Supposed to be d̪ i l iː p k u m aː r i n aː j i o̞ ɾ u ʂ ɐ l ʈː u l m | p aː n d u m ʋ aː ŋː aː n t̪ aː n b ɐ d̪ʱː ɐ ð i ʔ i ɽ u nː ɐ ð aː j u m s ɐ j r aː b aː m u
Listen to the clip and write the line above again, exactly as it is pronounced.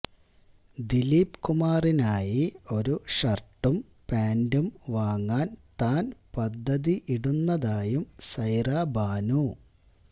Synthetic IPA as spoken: d̪ i l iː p k u m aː r i n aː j i o̞ ɾ u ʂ ɐ r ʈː u m | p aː n d u m ʋ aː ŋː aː n t̪ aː n p ɐ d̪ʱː ɐ ð i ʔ i ɽ u nː ɐ ð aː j u m s ɐ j r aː b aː n u

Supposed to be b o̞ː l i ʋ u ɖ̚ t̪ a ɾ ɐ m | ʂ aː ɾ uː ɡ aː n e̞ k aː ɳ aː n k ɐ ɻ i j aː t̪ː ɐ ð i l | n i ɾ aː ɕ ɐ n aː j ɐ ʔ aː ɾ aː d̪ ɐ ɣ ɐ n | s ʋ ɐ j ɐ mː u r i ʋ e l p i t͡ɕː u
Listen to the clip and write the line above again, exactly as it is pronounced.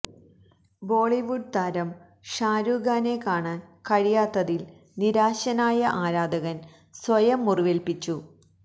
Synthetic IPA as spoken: b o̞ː ɭ i ʋ u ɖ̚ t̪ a ɾ ɐ m | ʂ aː ɾ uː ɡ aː n e̞ k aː ɳ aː n k ɐ ɻ i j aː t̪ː ɐ ð i l | n i ɾ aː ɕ ɐ n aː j ɐ ʔ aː ɾ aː d̪ ɐ ɣ ɐ n | s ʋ ɐ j ɐ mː u r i ʋ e l p i t͡ɕː u

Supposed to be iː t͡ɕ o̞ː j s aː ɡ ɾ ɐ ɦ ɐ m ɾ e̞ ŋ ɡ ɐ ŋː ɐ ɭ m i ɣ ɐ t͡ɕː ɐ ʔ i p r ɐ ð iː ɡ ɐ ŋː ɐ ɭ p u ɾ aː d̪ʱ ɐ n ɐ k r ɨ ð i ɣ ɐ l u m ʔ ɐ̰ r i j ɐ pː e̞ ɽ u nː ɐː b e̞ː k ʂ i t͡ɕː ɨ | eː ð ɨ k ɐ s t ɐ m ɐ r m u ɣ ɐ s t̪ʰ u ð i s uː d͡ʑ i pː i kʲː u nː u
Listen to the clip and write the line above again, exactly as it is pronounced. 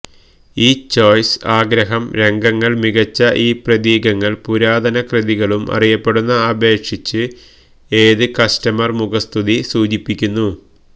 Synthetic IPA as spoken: iː t͡ɕ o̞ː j s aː ɡ ɾ ɐ ɦ ɐ m ɾ e̞ ŋ ɡ ɐ ŋː ɐ ɭ m i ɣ ɐ t͡ɕː ɐ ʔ iː p r ɐ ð iː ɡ ɐ ŋː ɐ ɭ p u ɾ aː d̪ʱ ɐ n ɐ k r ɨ ð i ɣ ɐ ɭ u m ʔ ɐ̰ r i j ɐ pː e̞ ɽ u nː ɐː b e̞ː k ʂ i t͡ɕː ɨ | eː ð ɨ k ɐ s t ɐ m ɐ r m u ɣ ɐ s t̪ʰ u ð i s uː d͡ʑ i pː i kʲː u nː u

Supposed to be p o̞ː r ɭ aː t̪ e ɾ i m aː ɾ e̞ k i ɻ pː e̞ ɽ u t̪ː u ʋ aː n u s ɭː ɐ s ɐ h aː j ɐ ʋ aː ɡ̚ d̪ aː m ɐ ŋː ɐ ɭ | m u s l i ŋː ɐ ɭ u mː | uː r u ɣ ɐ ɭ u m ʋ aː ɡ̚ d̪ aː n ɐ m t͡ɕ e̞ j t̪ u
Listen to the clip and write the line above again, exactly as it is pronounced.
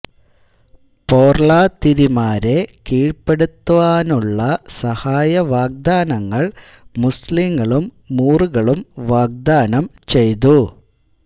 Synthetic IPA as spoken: p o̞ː r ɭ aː t̪ i ɾ i m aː ɾ e̞ k iː ɻ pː e̞ ɽ u t̪ː u ʋ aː n u ɭː ɐ s ɐ h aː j ɐ ʋ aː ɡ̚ d̪ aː n ɐ ŋː ɐ ɭ | m u s l i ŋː ɐ ɭ u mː | uː r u ɣ ɐ ɭ u m ʋ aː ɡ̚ d̪ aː n ɐ m t͡ɕ e̞ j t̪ u

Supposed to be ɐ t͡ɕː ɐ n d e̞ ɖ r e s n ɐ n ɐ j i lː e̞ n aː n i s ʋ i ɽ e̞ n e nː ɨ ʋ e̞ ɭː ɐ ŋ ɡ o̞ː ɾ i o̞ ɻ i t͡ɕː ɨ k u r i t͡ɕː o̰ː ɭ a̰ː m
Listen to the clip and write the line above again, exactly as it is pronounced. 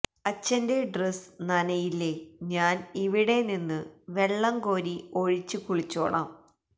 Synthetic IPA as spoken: ɐ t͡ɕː ɐ n d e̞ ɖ r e s n ɐ n ɐ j i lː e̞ ɲ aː n i ʋ i ɽ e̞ n i nː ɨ ʋ e̞ ɭː ɐ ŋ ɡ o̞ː ɾ i o̞ ɻ i t͡ɕː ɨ k u ɭ i t͡ɕː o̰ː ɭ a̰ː m

